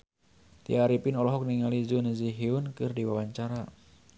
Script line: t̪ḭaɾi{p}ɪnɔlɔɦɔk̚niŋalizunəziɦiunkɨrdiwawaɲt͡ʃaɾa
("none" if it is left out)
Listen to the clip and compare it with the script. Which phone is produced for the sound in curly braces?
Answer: p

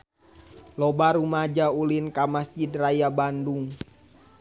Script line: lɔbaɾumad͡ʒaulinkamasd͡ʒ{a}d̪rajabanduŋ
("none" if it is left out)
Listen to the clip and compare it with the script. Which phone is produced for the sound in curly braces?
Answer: i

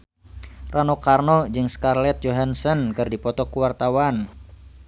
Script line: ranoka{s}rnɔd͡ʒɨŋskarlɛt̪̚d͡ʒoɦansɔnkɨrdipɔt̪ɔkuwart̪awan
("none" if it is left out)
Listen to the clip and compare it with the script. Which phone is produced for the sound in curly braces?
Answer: none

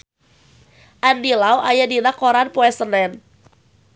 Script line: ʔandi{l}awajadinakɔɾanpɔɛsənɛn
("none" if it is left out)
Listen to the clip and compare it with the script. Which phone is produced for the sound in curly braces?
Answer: l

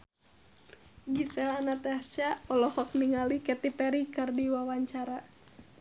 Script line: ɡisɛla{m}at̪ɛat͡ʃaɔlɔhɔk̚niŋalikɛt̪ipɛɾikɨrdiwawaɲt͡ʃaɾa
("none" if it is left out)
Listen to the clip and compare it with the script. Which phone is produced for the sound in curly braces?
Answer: n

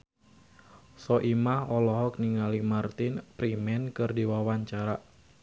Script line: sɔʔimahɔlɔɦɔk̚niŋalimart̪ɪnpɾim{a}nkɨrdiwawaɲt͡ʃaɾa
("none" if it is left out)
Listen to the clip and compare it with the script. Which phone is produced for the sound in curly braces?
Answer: ɛ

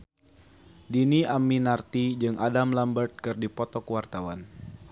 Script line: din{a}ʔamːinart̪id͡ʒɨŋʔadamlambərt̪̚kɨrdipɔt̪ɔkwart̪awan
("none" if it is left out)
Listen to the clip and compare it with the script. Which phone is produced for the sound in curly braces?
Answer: i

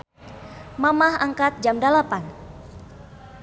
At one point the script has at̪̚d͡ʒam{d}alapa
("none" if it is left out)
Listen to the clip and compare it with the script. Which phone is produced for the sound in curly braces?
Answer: d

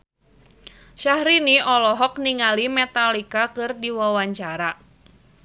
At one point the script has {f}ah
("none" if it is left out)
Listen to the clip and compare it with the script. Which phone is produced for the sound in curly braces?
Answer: ʃ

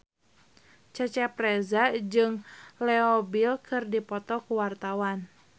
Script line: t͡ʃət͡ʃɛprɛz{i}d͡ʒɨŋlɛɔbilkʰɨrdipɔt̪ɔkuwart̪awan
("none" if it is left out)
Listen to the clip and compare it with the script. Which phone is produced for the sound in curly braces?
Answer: a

